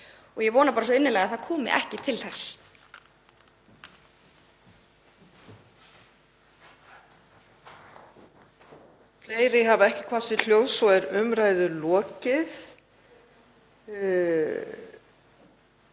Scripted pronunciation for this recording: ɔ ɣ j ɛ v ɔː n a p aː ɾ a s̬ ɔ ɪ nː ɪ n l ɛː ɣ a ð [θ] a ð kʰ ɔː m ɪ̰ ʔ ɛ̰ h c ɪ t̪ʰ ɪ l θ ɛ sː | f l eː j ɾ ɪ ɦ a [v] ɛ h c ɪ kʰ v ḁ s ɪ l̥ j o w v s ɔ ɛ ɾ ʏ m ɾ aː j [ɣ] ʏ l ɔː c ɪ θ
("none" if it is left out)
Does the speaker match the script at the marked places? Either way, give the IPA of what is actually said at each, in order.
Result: θ, v, ð

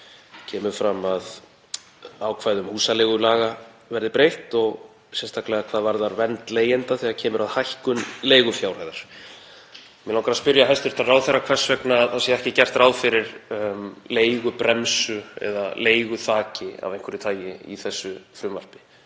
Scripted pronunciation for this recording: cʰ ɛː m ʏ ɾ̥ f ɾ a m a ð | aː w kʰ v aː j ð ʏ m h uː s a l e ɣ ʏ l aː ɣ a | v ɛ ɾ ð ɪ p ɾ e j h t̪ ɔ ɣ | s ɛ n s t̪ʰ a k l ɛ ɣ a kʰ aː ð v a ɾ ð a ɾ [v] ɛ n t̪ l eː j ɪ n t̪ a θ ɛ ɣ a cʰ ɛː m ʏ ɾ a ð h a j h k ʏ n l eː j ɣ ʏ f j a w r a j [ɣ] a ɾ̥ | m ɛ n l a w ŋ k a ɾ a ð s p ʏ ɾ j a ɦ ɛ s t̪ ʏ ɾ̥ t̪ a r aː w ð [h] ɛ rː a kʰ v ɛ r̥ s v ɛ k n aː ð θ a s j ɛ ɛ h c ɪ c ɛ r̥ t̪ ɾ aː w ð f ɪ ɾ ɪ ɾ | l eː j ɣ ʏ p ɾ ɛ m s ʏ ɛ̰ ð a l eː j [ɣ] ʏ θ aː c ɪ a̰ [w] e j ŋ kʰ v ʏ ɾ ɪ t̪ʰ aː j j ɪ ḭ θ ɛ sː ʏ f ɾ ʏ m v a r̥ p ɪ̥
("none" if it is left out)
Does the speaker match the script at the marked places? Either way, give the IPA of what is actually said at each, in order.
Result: v, ð, θ, ɣ, v

